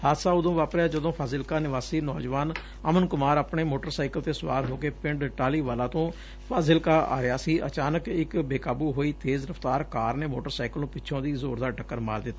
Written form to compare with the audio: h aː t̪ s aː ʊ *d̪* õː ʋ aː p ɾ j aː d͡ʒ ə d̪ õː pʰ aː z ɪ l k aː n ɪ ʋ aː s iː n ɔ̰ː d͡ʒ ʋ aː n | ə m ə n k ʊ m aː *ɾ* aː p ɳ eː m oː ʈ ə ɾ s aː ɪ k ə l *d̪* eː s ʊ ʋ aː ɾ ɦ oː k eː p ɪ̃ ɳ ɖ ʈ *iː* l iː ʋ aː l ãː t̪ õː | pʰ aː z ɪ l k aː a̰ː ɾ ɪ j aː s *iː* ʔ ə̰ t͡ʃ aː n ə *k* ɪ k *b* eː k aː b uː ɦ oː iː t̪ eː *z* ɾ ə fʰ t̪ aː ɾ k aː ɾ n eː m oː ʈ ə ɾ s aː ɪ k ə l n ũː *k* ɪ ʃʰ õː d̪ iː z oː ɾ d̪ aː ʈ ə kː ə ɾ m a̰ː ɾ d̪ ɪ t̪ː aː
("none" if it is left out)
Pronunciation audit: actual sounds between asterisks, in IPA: d̪, ɾ, t̪, aː, iː, k, b, z, p

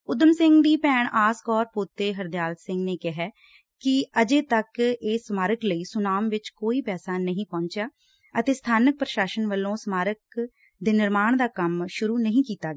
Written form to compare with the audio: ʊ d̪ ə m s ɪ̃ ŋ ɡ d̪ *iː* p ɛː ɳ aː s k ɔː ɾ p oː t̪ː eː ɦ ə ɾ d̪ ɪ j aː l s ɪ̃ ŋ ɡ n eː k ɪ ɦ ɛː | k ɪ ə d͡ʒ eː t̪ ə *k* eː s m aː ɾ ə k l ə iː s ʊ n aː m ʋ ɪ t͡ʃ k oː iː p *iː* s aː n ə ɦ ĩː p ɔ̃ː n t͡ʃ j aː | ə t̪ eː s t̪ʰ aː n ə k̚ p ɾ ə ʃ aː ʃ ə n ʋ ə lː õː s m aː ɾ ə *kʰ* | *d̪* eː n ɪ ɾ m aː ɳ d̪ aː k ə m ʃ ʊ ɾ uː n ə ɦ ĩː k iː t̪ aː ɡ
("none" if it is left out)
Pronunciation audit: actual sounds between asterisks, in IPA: iː, k, ɛː, k, d̪

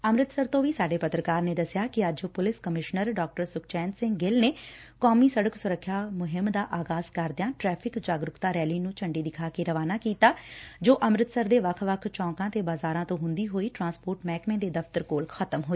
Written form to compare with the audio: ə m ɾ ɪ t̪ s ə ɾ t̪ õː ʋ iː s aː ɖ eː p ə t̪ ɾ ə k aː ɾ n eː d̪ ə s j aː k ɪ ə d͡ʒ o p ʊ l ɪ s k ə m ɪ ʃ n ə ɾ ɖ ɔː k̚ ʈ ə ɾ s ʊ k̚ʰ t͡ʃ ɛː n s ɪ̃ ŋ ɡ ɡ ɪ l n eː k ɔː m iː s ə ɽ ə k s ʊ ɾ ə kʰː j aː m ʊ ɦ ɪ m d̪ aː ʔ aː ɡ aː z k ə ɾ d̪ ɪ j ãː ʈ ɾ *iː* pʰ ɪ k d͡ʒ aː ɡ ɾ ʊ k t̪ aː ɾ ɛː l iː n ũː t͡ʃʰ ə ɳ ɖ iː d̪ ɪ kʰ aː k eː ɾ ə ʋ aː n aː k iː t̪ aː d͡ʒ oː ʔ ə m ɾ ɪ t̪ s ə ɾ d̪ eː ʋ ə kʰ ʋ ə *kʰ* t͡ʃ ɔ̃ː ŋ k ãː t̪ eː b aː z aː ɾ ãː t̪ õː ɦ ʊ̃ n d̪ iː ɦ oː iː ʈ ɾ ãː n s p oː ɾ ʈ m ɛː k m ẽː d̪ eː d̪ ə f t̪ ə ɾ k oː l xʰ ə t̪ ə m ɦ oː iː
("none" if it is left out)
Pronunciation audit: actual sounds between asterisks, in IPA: ɛː, kʰ

